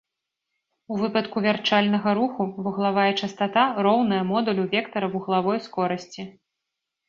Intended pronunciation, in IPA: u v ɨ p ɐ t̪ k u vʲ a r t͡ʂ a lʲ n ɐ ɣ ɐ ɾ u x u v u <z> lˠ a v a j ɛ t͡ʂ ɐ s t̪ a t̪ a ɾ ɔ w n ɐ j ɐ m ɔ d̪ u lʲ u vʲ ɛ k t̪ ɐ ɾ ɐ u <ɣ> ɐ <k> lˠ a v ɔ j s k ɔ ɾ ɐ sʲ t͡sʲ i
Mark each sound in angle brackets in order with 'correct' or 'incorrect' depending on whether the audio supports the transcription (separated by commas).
incorrect, correct, incorrect